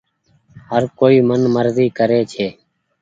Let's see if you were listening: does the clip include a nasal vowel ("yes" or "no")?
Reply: no